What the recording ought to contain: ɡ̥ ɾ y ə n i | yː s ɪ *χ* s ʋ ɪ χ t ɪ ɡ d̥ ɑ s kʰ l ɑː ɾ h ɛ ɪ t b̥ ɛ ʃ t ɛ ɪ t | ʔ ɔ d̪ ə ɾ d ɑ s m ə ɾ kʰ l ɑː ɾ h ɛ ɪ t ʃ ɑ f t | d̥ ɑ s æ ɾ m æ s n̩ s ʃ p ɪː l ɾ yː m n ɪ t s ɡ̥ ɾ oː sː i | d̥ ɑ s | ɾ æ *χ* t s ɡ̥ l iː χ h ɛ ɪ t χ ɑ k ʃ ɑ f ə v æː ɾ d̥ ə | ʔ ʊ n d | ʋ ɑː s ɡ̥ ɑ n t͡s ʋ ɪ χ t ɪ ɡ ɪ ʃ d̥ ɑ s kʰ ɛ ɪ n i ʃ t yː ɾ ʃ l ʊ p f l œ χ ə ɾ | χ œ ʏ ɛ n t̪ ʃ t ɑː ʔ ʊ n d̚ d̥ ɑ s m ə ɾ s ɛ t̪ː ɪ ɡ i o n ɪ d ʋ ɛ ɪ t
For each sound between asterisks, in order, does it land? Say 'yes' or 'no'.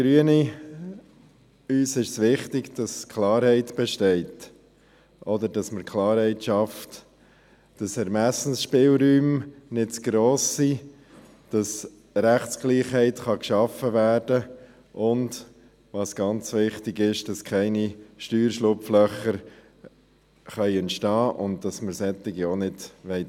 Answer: no, yes

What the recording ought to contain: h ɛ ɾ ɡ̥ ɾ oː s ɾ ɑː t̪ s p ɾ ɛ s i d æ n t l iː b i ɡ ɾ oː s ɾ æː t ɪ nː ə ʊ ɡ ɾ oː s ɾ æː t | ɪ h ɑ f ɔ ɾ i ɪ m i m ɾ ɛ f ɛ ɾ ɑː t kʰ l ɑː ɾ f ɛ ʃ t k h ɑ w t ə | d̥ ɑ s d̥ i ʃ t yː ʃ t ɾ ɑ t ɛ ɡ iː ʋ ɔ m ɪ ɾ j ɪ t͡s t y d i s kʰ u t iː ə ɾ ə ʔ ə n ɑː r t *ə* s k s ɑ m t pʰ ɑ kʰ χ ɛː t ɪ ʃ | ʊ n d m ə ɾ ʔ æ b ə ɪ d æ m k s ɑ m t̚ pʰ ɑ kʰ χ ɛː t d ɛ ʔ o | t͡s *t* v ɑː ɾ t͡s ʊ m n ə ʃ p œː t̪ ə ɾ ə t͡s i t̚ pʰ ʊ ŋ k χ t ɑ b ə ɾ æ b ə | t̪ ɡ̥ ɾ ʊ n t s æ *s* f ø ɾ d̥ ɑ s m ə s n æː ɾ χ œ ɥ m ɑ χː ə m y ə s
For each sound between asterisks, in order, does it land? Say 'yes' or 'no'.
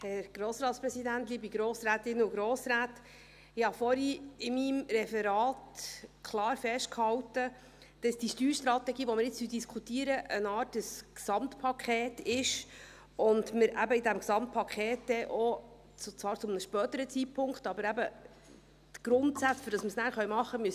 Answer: yes, no, no

